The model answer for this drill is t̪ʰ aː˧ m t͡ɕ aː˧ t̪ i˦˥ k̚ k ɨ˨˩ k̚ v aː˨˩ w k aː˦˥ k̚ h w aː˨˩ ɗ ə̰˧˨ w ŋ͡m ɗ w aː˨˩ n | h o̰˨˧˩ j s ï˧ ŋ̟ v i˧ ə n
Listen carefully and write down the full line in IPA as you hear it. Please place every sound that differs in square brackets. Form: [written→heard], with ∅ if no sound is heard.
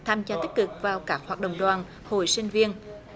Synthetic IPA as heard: t̪ʰ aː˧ m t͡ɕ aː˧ t̪ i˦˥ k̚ k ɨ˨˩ k̚ v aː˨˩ w k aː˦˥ k̚ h w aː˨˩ ɗ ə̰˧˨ w ŋ͡m ɗ w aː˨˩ n | h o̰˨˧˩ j s ï˧ ŋ̟ v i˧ ə n

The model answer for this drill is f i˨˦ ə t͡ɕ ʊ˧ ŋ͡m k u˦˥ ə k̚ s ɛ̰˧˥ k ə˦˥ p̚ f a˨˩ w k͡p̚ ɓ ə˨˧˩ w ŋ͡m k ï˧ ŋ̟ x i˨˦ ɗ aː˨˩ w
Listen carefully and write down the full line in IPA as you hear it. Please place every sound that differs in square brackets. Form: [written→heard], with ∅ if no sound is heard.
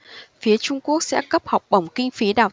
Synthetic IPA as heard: f i˨˦ ə t͡ɕ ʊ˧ ŋ͡m k u˦˥ ə k̚ s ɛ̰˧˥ k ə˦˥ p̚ [f→h] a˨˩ w k͡p̚ ɓ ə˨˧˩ w ŋ͡m k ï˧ ŋ̟ [x→f] i˨˦ ɗ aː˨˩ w

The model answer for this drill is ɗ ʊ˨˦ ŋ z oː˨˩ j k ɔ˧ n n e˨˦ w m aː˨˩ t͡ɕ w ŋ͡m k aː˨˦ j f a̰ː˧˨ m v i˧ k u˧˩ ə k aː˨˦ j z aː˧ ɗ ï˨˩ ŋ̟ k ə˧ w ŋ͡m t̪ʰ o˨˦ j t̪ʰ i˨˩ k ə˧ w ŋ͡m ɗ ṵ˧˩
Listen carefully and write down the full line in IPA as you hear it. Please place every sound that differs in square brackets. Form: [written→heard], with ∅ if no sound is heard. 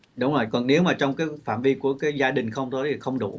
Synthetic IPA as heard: ɗ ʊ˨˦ [ŋ→ŋ͡m] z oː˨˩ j k [ɔ˧→ɔ˨˩] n n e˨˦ w m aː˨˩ t͡ɕ w ŋ͡m k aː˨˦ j f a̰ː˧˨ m v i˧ k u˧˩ ə k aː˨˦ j z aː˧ ɗ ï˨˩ ŋ̟ [k→x] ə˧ w ŋ͡m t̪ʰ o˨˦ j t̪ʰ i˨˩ [k→x] ə˧ w ŋ͡m ɗ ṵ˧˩

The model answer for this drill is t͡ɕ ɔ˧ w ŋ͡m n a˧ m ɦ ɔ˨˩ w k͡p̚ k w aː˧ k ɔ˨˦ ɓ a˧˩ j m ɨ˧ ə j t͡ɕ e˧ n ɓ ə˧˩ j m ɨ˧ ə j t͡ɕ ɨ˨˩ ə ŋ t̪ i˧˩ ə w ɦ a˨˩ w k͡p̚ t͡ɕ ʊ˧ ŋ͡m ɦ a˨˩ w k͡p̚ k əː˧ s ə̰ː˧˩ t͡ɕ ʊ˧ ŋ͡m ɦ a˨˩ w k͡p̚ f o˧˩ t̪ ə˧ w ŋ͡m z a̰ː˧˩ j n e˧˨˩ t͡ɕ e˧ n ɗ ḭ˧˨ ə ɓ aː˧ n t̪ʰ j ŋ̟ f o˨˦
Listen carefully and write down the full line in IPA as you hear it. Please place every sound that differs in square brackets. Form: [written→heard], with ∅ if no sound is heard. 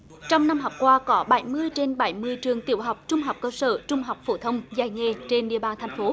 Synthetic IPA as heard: t͡ɕ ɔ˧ w ŋ͡m n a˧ m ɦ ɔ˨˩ w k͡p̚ k w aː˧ k ɔ˨˦ ɓ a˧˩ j m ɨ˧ ə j t͡ɕ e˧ n ɓ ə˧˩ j m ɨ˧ ə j t͡ɕ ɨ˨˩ ə ŋ t̪ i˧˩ ə w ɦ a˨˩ w k͡p̚ t͡ɕ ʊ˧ ŋ͡m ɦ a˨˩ w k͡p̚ k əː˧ s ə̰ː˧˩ t͡ɕ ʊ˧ ŋ͡m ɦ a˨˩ w k͡p̚ f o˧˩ [t̪→t̪ʰ] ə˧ w ŋ͡m z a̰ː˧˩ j [n→ŋ] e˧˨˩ t͡ɕ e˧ n ɗ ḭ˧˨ ə ɓ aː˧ n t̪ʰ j ŋ̟ f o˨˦

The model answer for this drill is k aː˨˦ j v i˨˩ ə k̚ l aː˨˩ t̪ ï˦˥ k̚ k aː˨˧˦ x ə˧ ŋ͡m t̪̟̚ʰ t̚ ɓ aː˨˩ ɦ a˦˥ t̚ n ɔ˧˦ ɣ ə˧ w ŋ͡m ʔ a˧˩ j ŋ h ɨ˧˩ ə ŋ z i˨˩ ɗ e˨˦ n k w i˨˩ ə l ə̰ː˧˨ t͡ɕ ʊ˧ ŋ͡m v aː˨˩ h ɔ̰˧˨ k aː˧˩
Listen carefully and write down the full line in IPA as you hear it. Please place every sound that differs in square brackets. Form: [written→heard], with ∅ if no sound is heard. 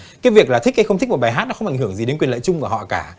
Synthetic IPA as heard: k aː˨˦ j v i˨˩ ə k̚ l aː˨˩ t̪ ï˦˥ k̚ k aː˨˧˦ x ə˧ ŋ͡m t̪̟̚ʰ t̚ ɓ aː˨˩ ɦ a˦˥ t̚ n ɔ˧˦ [ɣ→x] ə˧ w ŋ͡m ʔ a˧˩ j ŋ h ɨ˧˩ ə ŋ z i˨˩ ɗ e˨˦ n k w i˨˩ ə l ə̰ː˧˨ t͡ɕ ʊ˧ ŋ͡m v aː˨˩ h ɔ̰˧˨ k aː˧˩

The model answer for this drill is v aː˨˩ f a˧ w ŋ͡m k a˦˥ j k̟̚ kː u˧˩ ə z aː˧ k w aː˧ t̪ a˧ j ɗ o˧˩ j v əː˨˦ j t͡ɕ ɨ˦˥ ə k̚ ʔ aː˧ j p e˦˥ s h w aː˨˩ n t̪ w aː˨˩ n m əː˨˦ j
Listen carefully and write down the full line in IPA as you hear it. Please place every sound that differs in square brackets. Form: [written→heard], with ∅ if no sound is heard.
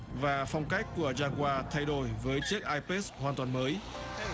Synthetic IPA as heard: v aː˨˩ f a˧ w ŋ͡m k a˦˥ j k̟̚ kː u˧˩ ə z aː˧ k w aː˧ [t̪→t̪ʰ] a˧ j ɗ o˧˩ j v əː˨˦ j t͡ɕ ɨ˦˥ ə k̚ ʔ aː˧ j p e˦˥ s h w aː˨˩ n t̪ w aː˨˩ n m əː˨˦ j

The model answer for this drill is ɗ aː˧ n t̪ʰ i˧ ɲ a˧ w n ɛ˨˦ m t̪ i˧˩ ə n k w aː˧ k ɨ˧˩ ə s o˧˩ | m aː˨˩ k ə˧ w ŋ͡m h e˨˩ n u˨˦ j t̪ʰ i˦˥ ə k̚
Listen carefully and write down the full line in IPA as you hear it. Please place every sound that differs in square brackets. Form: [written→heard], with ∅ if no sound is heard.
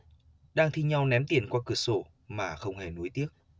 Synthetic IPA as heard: ɗ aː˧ [n→ŋ] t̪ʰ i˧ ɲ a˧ w n ɛ˨˦ m t̪ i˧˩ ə n k w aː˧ k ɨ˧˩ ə s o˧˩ | m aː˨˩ [k→x] ə˧ w ŋ͡m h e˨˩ n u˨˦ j [t̪ʰ→t̪] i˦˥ ə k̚

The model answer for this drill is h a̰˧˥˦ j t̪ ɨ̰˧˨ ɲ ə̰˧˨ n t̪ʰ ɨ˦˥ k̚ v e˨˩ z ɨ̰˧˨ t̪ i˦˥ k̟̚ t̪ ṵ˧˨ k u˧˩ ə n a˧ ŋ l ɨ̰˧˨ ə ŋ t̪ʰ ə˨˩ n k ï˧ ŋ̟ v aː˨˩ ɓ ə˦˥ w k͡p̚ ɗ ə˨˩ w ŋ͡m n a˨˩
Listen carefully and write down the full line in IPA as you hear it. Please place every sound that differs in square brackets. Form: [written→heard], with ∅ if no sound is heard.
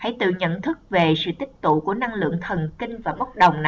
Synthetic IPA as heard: h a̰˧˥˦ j t̪ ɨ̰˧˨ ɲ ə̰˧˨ n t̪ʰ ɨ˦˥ k̚ v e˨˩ [z→s] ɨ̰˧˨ t̪ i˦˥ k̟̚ t̪ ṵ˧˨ k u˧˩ ə n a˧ ŋ l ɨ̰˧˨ ə ŋ t̪ʰ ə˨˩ n k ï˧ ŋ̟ v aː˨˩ ɓ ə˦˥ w k͡p̚ ɗ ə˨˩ w ŋ͡m n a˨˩

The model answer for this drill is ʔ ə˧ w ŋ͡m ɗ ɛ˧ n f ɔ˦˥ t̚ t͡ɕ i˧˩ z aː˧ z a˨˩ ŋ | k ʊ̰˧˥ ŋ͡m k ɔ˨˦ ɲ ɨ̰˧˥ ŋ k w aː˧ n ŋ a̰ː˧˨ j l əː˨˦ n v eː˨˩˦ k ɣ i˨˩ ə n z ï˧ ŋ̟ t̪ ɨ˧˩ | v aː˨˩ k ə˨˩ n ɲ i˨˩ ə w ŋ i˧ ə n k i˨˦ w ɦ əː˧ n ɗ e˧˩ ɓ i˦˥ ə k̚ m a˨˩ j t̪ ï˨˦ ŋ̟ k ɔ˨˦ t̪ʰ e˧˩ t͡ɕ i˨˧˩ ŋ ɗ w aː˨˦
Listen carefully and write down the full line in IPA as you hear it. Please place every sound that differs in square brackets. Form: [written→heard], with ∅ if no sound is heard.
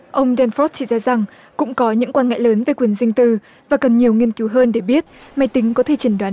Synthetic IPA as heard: ʔ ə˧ w ŋ͡m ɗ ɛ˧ n f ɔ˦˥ t̚ t͡ɕ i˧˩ z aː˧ z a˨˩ ŋ | k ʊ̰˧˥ ŋ͡m k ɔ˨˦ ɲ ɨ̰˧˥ ŋ k w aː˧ n ŋ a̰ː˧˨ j l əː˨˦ n v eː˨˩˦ k [ɣ→w] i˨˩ ə n z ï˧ ŋ̟ t̪ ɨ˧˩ | v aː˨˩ k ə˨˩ n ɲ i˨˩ ə w ŋ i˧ ə n k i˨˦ w ɦ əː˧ n ɗ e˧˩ ɓ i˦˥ ə [k̚→t̚] m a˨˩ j t̪ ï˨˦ ŋ̟ k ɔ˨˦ t̪ʰ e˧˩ t͡ɕ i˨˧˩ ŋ ɗ w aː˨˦

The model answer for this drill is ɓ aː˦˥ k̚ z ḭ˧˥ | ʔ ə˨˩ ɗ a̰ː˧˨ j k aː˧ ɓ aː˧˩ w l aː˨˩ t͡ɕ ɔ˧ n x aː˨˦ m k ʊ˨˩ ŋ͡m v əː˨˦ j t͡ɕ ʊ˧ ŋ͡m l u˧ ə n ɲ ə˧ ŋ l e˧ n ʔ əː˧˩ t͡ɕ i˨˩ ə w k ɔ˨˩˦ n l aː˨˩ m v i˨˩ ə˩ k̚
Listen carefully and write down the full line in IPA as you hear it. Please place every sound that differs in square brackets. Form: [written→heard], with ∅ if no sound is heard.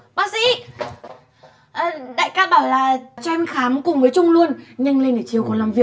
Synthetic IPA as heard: ɓ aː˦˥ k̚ [z→s] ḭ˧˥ | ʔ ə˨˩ ɗ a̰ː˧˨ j k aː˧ ɓ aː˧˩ w l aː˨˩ t͡ɕ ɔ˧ n x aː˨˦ m k ʊ˨˩ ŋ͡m v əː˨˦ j t͡ɕ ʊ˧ ŋ͡m l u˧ ə n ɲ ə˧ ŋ l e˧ n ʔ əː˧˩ t͡ɕ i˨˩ ə w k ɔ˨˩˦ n l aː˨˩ m v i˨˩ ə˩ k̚

